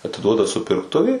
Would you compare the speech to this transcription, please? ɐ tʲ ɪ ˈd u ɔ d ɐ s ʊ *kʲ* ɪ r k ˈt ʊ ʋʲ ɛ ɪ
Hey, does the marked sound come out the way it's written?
no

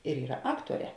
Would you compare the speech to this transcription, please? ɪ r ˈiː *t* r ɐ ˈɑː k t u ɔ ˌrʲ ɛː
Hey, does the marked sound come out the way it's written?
no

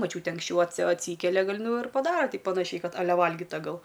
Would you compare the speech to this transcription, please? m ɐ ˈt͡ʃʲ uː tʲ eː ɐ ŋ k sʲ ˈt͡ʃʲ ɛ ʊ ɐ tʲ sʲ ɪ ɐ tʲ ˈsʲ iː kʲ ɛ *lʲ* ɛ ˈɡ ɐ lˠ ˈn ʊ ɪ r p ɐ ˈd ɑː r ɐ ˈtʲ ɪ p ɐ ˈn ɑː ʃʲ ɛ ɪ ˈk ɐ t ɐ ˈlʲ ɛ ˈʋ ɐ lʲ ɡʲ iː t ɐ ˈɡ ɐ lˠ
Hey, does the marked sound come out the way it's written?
yes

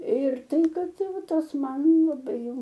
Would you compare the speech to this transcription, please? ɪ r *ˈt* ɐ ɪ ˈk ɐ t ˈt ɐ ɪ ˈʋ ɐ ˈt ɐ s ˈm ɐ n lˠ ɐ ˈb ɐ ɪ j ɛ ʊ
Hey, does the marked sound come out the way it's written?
yes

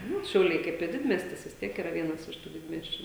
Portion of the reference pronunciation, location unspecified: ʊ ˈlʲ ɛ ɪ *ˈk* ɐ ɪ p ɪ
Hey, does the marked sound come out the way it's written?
yes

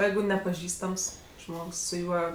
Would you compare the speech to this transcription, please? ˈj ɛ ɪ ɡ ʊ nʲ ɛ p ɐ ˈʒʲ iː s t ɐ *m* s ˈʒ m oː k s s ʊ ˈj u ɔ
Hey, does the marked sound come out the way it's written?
yes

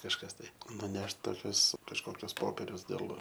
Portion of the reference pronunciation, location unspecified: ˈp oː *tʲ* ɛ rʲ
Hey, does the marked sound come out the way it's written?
no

